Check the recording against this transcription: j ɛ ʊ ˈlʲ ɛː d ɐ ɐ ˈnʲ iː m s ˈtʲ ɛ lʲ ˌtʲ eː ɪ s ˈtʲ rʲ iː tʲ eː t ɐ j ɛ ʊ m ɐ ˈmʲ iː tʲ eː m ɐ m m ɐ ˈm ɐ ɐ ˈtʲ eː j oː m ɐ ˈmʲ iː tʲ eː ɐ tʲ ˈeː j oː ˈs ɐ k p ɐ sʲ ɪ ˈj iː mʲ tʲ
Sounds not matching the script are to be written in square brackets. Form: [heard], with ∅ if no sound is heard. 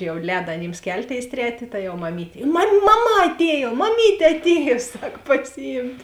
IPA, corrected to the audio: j ɛ ʊ ˈlʲ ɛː d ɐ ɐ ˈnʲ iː m s [ˈkʲ] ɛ lʲ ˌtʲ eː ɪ s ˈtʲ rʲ [æː] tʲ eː t ɐ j ɛ ʊ m ɐ ˈmʲ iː tʲ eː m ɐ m m ɐ ˈm ɐ ɐ ˈtʲ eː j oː m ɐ ˈmʲ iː tʲ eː ɐ tʲ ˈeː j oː ˈs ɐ k p ɐ sʲ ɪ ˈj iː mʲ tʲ